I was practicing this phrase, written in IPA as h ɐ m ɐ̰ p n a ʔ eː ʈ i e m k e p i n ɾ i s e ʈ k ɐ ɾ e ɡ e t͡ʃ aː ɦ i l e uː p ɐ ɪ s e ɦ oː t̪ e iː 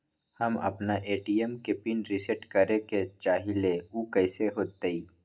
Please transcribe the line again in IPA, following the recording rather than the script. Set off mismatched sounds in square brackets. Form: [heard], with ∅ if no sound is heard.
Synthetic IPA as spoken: h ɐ m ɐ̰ p n a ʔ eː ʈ i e m k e p i n ɾ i s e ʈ k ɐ ɾ e [k] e t͡ʃ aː ɦ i l e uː [k] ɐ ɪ s e ɦ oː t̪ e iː